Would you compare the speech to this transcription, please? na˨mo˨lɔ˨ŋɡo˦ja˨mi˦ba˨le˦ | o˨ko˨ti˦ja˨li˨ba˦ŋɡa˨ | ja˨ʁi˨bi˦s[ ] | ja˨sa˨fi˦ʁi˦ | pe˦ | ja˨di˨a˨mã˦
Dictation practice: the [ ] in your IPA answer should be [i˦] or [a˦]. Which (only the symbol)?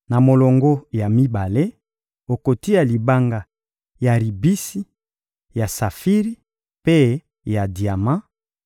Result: i˦